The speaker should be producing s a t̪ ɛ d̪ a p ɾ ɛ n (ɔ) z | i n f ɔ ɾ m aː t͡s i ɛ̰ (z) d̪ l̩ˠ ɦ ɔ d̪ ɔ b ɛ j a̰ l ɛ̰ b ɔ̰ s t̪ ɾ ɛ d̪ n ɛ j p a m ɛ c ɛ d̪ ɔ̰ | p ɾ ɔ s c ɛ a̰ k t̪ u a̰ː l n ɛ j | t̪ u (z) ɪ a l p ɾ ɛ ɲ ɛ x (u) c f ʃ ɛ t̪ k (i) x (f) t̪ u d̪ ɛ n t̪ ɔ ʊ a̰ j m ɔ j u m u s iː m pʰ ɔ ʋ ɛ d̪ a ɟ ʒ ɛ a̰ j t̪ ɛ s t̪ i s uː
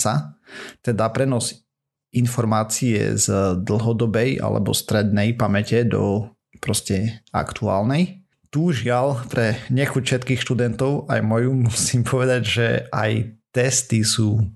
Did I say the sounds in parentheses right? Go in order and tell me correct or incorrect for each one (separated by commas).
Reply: correct, correct, incorrect, correct, incorrect, incorrect